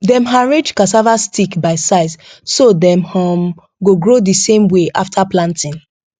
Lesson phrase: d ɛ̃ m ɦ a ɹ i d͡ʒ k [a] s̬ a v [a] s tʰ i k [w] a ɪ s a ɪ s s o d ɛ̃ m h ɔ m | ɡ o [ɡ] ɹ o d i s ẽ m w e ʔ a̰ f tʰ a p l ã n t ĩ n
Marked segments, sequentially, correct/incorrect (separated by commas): correct, correct, incorrect, correct